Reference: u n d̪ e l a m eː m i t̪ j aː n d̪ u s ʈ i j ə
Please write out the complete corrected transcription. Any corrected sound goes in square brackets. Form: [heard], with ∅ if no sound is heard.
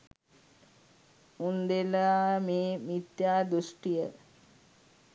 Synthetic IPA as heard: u n d̪ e l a m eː m i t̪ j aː [∅] d̪ u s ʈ i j ə

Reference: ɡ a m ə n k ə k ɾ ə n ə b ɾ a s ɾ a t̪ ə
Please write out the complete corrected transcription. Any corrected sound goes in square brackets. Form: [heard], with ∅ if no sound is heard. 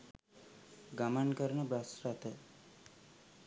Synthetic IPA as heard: ɡ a m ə n k ə [∅] ɾ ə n ə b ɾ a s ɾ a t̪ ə

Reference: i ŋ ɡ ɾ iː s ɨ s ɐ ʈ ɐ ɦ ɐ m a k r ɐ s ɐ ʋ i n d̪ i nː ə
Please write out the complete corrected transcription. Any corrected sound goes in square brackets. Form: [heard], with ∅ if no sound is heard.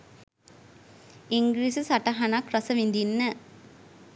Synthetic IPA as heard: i ŋ ɡ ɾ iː s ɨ s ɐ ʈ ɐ ɦ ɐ [n] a k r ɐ s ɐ ʋ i n d̪ i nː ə

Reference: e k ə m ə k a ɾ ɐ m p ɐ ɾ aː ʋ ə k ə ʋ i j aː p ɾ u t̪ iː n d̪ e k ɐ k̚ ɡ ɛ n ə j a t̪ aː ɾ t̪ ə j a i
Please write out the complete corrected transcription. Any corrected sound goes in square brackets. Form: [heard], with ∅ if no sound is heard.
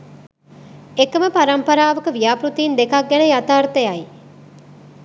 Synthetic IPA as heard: e k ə m ə [p] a ɾ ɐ m p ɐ ɾ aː ʋ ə k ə ʋ i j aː p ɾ u t̪ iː n d̪ e k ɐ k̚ ɡ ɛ n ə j a t̪ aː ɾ t̪ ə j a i

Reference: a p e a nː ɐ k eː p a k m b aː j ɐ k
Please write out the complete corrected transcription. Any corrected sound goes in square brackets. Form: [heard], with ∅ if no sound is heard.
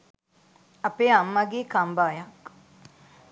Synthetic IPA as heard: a p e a [mː] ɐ [ɡ] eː [k] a [∅] m b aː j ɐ k

